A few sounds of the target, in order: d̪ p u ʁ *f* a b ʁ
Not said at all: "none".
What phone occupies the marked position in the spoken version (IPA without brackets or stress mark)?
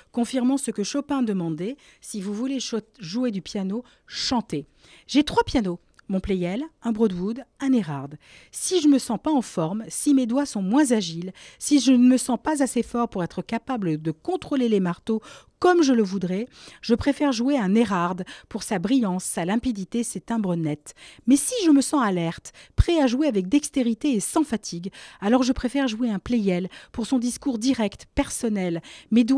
s